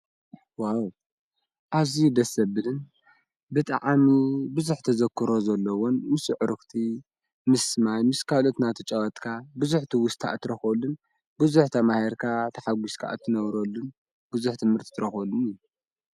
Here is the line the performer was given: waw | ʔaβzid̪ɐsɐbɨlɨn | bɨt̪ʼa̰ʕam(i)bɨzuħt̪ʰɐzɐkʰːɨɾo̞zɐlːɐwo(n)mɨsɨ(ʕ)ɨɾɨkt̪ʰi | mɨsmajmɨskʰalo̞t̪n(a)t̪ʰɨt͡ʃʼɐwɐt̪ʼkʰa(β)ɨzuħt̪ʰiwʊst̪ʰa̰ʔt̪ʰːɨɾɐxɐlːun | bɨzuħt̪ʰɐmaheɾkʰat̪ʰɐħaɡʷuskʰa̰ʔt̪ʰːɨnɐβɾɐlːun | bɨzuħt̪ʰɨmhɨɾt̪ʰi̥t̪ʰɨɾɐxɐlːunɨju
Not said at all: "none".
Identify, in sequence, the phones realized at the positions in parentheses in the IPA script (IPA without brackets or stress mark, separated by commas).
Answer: i, n, ʕ, a, b